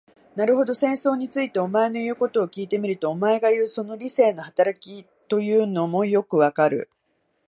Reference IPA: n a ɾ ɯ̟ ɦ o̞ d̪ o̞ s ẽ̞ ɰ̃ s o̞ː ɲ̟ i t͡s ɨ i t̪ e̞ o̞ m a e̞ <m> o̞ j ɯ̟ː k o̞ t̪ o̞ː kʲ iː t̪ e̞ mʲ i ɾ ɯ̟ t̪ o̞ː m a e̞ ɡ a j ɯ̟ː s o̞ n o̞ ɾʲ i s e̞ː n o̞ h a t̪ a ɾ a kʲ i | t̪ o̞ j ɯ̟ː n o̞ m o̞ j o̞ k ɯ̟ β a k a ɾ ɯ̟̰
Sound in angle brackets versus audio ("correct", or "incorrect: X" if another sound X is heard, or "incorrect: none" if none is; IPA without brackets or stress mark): incorrect: n